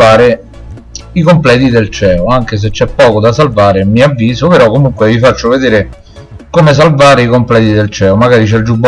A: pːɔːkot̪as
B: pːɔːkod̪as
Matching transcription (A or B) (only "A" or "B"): B